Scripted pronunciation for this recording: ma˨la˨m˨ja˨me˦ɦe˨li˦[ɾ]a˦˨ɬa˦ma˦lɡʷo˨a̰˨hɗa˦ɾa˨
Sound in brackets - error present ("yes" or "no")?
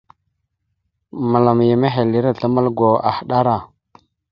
no